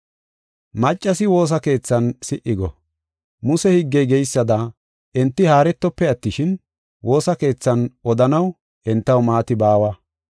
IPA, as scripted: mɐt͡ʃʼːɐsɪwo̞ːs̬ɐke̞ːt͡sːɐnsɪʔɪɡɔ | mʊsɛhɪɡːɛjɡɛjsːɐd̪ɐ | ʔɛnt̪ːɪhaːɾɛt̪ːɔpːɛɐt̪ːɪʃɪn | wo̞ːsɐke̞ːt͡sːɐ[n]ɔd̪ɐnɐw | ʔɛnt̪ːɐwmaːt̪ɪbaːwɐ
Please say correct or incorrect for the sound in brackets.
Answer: correct